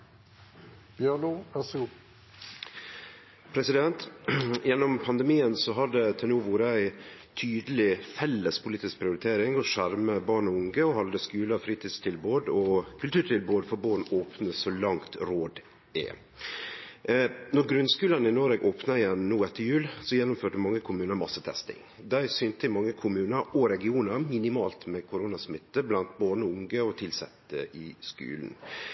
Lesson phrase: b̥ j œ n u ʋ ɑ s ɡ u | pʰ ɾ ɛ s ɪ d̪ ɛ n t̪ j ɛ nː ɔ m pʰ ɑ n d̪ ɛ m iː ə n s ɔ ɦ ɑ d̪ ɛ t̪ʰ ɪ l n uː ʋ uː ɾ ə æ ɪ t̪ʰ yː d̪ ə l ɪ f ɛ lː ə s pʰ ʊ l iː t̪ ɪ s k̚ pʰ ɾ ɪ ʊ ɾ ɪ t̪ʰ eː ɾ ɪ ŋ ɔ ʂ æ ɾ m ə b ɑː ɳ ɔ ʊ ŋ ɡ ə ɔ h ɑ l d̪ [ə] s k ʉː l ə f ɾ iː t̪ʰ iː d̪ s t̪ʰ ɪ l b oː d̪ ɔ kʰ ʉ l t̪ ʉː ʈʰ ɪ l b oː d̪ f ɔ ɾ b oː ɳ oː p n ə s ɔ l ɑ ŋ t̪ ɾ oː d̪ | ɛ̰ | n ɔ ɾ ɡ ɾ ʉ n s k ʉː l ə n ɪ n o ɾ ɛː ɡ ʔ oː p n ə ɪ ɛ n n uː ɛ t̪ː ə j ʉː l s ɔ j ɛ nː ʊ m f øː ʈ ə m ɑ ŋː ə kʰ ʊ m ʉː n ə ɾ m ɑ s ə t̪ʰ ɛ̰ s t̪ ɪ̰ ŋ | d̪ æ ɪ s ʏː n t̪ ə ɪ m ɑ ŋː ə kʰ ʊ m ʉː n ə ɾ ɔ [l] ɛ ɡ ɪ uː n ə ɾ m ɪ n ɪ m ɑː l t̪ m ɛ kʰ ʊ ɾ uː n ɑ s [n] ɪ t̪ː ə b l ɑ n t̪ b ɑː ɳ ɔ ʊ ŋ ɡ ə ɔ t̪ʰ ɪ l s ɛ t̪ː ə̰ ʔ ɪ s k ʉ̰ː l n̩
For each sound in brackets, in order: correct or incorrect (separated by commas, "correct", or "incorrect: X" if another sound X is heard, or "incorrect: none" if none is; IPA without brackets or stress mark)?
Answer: correct, incorrect: ɾ, incorrect: m